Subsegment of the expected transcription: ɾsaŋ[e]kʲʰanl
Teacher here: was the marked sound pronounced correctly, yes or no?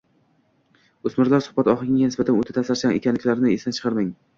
yes